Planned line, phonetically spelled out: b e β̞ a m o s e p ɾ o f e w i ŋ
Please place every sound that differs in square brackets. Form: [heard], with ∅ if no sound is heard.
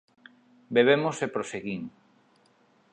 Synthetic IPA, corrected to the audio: b e β̞ [e] m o s e p ɾ o [s] e [ɣ] i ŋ